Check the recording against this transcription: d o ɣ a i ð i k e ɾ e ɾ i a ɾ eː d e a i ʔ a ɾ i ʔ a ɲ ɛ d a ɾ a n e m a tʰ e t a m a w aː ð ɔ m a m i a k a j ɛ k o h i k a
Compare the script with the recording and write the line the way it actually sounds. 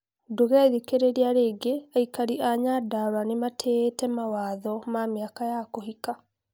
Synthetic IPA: d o ɣ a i ð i k e ɾ e ɾ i a ɾ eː ɡ e a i k a ɾ i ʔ a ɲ a d a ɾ a n e m a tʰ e t ɛ m a w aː ð ɔ m a m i a k a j a k o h i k a